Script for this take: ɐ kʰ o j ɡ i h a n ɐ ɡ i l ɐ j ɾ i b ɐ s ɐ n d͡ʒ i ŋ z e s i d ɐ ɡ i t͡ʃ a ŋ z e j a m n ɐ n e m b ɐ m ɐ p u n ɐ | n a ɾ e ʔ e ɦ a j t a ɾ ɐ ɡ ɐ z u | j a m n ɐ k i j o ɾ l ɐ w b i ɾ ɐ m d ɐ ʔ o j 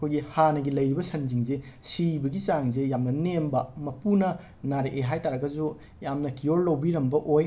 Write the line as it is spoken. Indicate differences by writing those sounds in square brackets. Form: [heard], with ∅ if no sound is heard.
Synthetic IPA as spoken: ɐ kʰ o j ɡ i h a n ɐ ɡ i l ɐ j ɾ i b ɐ s ɐ n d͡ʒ i ŋ z e s i [b] ɐ ɡ i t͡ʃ a ŋ z e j a m n ɐ n e m b ɐ m ɐ p u n ɐ | n a ɾ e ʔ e ɦ a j t a ɾ ɐ ɡ ɐ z u | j a m n ɐ k i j o ɾ l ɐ w b i ɾ ɐ m [b] ɐ ʔ o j